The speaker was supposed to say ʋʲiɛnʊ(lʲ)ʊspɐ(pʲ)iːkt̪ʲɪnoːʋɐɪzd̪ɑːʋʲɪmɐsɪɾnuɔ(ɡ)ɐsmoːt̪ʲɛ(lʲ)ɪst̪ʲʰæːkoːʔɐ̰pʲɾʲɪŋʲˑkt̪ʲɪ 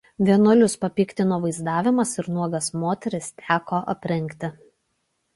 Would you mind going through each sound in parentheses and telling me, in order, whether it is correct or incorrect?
correct, correct, correct, incorrect: ɾʲ

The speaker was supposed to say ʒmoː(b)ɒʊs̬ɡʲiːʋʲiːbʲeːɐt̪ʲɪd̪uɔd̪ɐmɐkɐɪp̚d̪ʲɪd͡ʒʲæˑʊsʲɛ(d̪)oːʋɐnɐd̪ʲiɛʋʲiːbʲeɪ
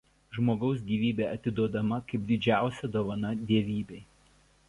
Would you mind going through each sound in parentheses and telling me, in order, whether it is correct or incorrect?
incorrect: ɡ, correct

